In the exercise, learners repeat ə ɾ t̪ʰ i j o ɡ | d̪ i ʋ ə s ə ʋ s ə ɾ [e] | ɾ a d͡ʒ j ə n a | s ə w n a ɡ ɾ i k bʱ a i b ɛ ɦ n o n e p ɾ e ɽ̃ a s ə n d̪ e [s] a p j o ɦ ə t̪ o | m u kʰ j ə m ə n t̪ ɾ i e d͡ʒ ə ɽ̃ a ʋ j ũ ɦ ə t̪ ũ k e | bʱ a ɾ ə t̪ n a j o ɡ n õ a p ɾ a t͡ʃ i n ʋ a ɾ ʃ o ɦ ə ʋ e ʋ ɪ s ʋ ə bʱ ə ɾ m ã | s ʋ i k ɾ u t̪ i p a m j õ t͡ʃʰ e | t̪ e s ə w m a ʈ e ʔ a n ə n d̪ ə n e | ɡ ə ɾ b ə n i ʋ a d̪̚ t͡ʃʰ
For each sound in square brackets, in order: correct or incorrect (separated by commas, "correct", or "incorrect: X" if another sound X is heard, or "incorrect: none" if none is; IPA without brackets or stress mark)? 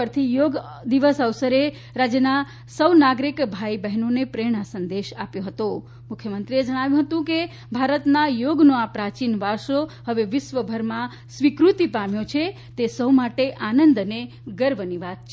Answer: correct, incorrect: ʃ